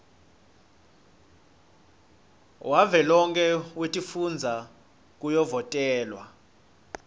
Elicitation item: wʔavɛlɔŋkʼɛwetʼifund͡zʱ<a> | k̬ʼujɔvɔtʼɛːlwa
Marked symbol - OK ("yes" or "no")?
yes